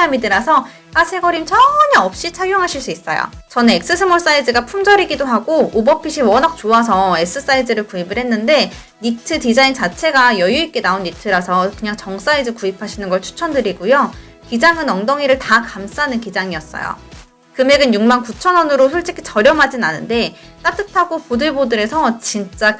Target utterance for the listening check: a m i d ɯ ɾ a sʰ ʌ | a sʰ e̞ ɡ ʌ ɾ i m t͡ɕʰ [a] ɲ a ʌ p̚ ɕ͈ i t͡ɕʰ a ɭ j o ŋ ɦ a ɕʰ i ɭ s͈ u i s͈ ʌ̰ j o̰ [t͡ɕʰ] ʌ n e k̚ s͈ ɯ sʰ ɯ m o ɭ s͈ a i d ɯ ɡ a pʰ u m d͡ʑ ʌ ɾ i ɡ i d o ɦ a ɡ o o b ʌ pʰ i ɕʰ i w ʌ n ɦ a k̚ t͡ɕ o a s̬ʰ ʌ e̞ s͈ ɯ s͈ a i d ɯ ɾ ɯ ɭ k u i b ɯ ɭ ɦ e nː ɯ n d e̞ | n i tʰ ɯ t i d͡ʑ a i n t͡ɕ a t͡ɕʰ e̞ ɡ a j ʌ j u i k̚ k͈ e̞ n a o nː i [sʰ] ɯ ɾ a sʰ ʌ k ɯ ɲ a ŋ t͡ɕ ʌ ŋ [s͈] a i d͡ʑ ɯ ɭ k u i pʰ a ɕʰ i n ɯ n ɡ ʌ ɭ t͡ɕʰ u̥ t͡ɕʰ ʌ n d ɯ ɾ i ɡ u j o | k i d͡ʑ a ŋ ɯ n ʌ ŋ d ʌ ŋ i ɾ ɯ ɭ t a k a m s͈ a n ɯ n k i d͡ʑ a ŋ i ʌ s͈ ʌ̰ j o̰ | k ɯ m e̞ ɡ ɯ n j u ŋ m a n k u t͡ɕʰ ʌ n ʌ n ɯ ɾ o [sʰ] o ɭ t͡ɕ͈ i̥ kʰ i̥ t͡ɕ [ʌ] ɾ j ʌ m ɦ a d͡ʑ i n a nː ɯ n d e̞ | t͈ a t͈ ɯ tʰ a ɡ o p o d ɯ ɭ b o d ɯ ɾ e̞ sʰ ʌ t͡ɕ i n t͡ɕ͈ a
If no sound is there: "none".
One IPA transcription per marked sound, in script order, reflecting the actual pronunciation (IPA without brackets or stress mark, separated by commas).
ʌ, t͡ɕ, tʰ, s͈, sʰ, ʌ